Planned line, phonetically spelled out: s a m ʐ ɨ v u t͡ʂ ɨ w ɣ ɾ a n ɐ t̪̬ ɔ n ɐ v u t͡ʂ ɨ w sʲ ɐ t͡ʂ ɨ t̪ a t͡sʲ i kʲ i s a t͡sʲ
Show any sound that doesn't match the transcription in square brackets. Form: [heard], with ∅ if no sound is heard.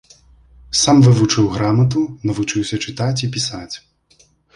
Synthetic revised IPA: s a m [v] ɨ v u t͡ʂ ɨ w ɣ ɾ a [m] ɐ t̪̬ [u] n ɐ v u t͡ʂ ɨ w sʲ ɐ t͡ʂ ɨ t̪ a t͡sʲ i [pʲ] i s a t͡sʲ